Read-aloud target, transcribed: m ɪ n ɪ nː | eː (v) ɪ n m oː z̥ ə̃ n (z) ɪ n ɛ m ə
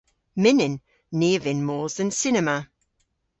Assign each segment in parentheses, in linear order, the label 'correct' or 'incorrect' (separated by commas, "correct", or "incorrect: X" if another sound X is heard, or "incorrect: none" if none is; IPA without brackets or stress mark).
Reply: correct, incorrect: s